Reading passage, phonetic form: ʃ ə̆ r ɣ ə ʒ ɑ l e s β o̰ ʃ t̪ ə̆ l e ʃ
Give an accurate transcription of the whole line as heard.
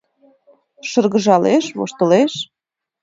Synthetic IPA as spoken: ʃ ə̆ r ɣ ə ʒ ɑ l e ʃ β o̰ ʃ t̪ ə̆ l e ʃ